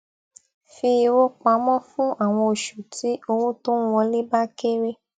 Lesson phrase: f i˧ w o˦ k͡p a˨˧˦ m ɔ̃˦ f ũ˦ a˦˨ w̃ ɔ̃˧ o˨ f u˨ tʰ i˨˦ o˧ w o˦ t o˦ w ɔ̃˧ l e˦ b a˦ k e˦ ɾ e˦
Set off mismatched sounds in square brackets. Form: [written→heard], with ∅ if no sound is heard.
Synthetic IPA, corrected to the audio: f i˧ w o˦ k͡p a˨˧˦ m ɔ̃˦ f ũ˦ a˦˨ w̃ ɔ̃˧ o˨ [f→ʃ] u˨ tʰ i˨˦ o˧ w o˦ t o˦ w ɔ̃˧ l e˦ b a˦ k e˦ ɾ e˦